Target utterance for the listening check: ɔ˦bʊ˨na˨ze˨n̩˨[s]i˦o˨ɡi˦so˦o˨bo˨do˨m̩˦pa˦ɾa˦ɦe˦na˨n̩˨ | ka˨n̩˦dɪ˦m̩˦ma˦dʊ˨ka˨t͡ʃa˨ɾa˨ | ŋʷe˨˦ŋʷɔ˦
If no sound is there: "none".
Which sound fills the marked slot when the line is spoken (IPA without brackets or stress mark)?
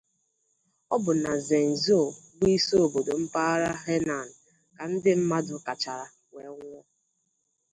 z